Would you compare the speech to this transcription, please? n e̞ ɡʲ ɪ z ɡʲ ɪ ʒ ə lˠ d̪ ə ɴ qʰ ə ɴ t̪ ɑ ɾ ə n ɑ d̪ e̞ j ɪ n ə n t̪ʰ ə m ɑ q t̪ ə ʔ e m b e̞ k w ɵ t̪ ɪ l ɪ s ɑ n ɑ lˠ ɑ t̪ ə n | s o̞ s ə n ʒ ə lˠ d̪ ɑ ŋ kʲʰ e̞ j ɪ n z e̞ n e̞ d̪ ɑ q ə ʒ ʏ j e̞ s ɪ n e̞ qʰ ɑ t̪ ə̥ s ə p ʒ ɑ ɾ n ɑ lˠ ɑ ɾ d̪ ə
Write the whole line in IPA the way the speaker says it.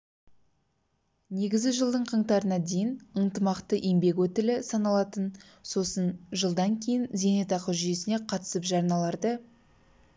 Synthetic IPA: n e̞ ɡʲ ɪ z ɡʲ ɪ ʒ ə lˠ d̪ ə ɴ qʰ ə ɴ t̪ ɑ ɾ ə n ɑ d̪ e̞ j ɪ n ə n t̪ ə m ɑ q t̪ ə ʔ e m b e̞ k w ɵ t̪ ɪ l ɪ s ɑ n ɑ lˠ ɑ t̪ ə n | s o̞ s ə n ʒ ə lˠ d̪ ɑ ŋ kʲʰ e̞ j ɪ n z e̞ n e̞ t̪ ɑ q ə ʒ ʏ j e̞ s ɪ n e̞ qʰ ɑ t̪ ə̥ s ə p ʒ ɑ ɾ n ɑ lˠ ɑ ɾ d̪ ə